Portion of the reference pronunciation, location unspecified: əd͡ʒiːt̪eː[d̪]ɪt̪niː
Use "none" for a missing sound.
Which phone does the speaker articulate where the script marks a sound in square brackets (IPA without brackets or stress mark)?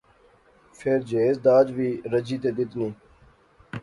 d̪